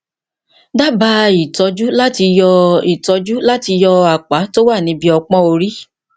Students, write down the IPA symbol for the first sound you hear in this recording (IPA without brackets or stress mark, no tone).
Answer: d